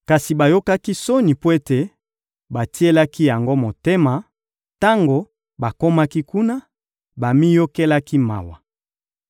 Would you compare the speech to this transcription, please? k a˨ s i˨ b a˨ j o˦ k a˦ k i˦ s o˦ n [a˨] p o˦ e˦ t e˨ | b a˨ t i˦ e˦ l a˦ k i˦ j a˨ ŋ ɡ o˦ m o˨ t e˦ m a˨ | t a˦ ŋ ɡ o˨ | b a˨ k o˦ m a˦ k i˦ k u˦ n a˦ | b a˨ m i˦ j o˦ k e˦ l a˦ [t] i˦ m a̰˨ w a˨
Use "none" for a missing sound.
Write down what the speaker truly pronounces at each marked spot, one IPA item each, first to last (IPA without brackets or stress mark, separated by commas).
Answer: i˨, k